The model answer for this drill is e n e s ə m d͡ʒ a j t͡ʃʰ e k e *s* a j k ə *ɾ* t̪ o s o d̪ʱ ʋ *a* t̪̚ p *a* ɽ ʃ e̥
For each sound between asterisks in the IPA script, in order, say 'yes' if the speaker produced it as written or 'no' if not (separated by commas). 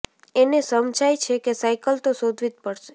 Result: yes, no, no, no